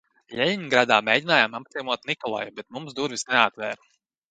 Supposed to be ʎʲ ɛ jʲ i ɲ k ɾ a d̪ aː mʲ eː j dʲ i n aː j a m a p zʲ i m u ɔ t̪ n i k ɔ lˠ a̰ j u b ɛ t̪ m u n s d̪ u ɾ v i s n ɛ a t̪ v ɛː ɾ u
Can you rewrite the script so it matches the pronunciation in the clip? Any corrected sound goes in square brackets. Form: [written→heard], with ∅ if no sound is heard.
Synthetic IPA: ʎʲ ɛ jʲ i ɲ [k→ɡ] ɾ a d̪ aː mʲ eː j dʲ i n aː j a m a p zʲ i m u ɔ t̪ n i k ɔ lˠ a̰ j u b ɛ t̪ m u [n→m] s d̪ u ɾ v i s n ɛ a t̪ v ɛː ɾ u